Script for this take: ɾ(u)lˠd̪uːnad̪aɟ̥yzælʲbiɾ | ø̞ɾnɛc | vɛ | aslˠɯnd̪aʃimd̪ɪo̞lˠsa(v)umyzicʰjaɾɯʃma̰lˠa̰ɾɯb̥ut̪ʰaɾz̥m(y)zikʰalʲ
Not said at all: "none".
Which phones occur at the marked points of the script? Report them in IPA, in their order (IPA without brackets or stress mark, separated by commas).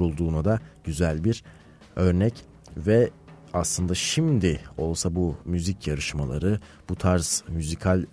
u, b, y